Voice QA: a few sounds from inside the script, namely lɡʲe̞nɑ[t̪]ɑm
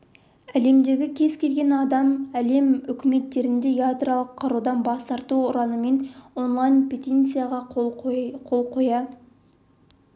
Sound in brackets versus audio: incorrect: d̪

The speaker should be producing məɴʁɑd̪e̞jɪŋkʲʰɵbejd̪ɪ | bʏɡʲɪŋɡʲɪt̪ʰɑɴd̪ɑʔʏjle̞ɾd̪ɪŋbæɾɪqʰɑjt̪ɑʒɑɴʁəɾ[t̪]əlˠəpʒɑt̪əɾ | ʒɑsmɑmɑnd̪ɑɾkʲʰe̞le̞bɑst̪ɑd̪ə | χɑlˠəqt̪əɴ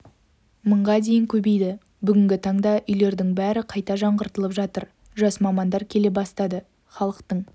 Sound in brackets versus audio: correct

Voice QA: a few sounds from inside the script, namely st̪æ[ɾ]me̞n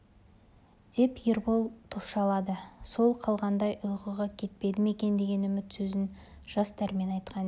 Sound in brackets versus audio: correct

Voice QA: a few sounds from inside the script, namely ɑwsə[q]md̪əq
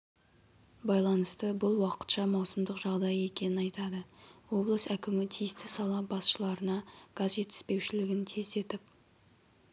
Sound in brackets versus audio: incorrect: none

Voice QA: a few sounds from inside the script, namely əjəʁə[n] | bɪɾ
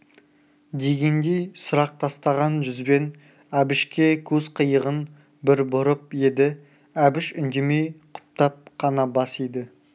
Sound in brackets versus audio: correct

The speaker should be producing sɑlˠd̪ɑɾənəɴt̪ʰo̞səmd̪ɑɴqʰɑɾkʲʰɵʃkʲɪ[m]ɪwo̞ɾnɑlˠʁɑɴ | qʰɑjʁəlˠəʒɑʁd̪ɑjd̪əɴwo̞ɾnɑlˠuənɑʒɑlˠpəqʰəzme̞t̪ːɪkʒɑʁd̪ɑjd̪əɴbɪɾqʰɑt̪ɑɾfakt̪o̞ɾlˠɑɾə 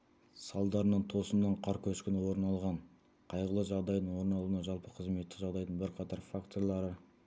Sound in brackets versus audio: incorrect: n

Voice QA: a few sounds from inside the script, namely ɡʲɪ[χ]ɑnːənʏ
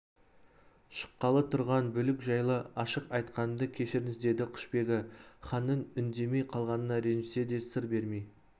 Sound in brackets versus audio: correct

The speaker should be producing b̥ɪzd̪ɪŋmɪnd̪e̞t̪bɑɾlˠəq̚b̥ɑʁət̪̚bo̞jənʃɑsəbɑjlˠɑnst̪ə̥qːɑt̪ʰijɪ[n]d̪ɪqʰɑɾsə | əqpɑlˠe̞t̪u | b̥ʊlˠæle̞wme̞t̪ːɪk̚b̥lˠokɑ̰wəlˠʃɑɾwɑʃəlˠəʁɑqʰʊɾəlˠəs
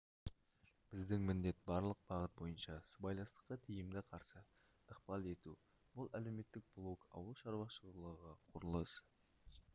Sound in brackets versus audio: incorrect: m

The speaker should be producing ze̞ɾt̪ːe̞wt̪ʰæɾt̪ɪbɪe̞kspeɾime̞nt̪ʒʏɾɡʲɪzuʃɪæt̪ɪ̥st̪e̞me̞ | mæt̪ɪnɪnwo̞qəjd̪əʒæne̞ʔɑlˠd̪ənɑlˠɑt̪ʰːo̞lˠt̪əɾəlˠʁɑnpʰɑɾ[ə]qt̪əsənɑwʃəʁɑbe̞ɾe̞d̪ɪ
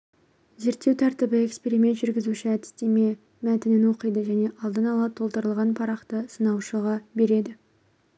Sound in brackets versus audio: incorrect: ɑ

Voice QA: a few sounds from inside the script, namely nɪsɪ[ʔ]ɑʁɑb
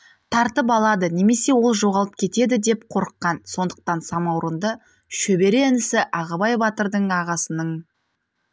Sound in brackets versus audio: correct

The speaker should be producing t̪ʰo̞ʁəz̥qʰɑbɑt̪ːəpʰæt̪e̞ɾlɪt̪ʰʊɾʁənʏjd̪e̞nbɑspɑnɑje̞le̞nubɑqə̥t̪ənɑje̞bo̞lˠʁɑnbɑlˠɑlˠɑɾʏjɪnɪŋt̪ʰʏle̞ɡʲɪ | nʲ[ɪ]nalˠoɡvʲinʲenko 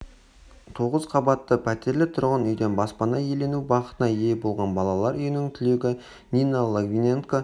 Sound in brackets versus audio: incorrect: i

